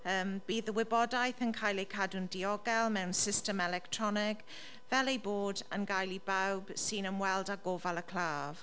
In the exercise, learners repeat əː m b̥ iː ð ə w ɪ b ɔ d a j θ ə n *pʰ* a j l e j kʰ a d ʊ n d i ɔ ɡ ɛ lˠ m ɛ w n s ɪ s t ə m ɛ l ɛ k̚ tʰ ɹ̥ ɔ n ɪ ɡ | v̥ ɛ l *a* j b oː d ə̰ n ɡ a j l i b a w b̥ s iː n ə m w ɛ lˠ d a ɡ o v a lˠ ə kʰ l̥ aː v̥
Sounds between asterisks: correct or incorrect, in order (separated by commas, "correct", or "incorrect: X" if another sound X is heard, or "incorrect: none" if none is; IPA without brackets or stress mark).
incorrect: kʰ, incorrect: e